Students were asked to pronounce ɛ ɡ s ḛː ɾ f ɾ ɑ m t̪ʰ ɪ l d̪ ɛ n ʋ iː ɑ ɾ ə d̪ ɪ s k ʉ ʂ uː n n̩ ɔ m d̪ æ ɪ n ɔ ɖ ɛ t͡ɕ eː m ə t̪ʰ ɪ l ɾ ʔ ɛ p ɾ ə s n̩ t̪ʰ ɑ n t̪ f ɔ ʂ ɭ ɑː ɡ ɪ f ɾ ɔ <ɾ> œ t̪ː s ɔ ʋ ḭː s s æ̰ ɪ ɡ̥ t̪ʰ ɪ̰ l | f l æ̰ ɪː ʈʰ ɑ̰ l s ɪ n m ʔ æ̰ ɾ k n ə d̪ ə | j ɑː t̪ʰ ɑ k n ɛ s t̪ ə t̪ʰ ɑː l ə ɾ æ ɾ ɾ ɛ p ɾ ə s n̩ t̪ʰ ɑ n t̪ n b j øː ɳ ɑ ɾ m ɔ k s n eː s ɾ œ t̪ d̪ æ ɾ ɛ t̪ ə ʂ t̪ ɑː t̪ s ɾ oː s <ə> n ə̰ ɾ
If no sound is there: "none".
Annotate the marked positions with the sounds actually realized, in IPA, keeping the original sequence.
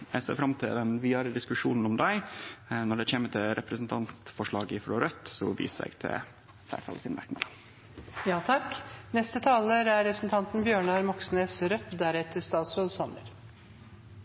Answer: ɾ, ɑ

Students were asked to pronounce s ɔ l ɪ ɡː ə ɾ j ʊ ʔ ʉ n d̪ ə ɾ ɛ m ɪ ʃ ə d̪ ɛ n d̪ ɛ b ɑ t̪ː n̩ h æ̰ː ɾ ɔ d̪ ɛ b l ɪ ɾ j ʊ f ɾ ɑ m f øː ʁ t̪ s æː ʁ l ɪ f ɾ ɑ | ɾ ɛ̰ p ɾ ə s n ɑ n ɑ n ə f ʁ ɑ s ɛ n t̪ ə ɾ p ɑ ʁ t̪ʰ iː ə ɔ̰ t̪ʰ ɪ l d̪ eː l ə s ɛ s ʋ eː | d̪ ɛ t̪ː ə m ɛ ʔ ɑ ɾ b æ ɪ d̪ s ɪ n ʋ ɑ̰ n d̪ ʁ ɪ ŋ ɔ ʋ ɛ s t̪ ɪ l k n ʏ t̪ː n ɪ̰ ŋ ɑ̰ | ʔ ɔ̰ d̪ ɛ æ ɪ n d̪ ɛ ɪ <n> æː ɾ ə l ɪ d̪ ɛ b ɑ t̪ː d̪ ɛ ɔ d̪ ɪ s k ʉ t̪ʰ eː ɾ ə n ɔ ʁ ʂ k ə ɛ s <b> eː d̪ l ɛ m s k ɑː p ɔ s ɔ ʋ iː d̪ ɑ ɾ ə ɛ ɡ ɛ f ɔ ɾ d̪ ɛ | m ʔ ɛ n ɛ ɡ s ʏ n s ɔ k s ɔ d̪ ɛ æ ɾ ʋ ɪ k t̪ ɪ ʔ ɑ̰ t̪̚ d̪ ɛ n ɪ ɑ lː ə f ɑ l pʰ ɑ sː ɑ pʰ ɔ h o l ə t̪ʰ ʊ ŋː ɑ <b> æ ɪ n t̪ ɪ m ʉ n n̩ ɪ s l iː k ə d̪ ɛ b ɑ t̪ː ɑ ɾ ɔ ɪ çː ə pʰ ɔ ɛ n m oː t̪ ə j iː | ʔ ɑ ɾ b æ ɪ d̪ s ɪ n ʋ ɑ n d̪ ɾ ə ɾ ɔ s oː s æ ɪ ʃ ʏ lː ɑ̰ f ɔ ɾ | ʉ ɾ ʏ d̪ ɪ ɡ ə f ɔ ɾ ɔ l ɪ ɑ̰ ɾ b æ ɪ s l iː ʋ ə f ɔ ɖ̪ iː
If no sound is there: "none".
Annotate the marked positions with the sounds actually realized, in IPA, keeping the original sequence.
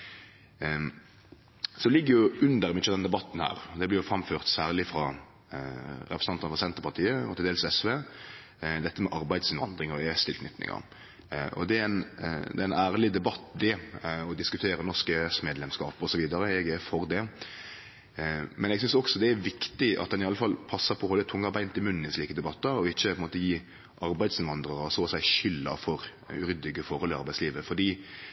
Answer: n, m, b

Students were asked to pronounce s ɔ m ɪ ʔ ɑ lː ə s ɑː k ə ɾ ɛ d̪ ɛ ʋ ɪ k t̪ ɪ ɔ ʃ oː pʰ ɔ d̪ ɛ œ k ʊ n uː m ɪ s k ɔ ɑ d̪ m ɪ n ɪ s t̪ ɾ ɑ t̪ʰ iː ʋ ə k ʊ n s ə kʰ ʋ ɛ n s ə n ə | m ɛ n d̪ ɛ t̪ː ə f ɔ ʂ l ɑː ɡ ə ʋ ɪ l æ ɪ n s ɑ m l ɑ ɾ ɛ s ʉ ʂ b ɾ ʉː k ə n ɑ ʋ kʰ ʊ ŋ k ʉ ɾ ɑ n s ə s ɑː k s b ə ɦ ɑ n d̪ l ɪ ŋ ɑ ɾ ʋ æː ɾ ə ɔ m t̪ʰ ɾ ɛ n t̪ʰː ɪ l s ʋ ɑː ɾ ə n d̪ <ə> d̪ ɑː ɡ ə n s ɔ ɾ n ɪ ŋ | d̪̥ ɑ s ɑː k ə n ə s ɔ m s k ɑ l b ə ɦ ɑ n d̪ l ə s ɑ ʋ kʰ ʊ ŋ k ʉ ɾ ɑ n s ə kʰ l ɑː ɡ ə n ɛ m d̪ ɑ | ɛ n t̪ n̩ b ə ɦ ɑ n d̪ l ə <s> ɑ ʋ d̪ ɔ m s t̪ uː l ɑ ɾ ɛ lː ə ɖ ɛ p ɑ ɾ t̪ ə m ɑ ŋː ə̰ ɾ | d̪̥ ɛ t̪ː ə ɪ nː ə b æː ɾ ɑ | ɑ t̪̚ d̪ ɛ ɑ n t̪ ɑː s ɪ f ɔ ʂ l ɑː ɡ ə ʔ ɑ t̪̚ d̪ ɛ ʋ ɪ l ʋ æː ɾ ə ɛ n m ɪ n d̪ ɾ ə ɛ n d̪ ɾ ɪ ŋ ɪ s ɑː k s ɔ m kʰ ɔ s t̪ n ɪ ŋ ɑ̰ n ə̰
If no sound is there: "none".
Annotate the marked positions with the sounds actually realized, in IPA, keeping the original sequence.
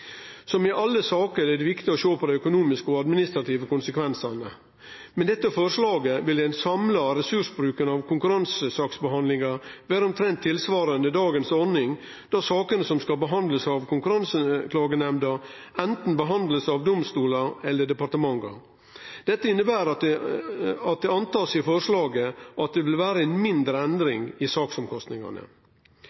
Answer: ə, s

